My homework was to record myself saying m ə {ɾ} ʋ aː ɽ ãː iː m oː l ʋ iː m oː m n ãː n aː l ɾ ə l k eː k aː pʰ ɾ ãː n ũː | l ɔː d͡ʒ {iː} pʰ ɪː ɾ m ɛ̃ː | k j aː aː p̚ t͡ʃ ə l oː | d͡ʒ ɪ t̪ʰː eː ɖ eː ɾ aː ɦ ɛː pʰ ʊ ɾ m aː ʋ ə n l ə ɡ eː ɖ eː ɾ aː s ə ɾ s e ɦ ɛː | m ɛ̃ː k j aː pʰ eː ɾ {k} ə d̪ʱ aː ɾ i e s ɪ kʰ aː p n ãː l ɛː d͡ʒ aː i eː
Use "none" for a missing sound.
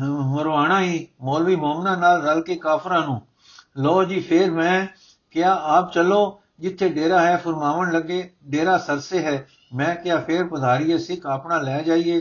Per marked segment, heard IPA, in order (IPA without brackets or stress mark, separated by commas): ɾ, iː, p